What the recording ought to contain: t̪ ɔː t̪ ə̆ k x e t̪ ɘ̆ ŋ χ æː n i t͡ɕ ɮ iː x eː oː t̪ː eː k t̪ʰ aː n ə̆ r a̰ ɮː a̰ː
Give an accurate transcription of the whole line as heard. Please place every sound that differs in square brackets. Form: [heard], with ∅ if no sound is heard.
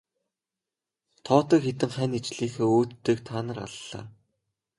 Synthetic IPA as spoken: [t̪ʰ] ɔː t̪ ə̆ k x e t̪ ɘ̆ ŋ χ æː n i t͡ɕ ɮ iː x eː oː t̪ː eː k t̪ʰ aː n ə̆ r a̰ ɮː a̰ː